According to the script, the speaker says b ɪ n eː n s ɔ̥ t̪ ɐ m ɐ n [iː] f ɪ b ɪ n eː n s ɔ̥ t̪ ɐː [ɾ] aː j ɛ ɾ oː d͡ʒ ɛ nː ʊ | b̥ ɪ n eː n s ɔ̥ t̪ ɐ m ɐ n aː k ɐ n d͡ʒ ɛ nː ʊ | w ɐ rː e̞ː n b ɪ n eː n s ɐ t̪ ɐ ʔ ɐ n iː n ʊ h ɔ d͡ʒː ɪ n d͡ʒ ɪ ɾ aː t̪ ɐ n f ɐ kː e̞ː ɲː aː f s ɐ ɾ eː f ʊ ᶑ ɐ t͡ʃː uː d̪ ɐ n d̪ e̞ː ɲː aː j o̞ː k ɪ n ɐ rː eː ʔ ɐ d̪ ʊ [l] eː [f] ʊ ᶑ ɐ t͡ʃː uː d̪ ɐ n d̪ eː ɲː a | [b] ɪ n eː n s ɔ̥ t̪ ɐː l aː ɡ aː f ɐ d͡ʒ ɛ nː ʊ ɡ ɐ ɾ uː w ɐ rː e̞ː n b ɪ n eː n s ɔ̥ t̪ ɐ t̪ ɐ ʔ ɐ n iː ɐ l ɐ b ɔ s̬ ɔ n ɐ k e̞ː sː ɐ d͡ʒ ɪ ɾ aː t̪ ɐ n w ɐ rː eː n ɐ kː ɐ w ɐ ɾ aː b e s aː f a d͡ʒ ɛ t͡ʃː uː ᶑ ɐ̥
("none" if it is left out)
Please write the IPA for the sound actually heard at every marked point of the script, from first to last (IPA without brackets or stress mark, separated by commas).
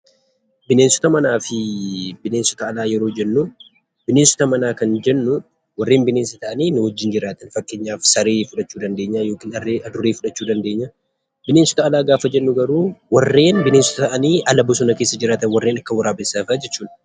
aː, l, ɾ, f, b